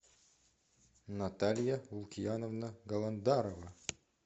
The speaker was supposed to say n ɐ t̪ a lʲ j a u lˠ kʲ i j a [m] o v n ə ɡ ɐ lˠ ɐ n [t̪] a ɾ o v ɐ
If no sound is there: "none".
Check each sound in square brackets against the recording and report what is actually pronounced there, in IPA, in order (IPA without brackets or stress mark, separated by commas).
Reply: n, d̪